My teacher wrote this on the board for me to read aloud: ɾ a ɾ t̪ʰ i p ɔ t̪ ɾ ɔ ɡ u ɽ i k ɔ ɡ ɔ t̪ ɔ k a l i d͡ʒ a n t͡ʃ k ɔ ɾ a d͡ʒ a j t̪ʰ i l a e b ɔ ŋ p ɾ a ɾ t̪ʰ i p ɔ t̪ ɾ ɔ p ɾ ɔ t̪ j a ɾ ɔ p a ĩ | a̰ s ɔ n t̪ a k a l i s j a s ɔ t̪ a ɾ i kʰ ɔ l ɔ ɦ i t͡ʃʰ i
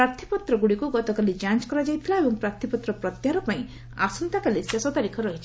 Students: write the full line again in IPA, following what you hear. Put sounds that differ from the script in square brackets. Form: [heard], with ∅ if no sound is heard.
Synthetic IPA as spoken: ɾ a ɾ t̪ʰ i p ɔ t̪ ɾ ɔ ɡ u ɽ i k [u] ɡ ɔ t̪ ɔ k a l i d͡ʒ a n t͡ʃ k ɔ ɾ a d͡ʒ a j t̪ʰ i l a e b ɔ ŋ p ɾ a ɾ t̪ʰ i p ɔ t̪ ɾ ɔ p ɾ ɔ t̪ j a ɾ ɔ p a ĩ | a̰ s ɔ n t̪ a k a l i s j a s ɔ t̪ a ɾ i kʰ ɔ [ɾ] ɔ ɦ i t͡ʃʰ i